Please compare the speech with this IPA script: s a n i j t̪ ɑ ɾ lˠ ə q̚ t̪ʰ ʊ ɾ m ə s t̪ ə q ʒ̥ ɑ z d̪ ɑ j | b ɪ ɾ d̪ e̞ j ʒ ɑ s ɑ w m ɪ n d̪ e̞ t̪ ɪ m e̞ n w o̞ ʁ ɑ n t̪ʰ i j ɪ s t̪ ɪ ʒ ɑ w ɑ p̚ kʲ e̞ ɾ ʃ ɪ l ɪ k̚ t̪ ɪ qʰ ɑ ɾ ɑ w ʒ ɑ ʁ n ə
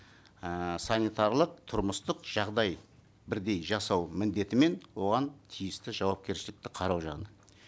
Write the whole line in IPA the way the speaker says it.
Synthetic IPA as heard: s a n i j t̪ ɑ ɾ lˠ ə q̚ t̪ʰ ʊ ɾ m ə s t̪ ə q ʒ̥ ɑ ʁ d̪ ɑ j | b ɪ ɾ d̪ e̞ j ʒ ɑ s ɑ w m ɪ n d̪ e̞ t̪ ɪ m e̞ n w o̞ ʁ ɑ n t̪ʰ i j ɪ s t̪ ɪ ʒ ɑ w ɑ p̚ kʲ e̞ ɾ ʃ ɪ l ɪ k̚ t̪ ɪ qʰ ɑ ɾ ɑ w ʒ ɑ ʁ n ə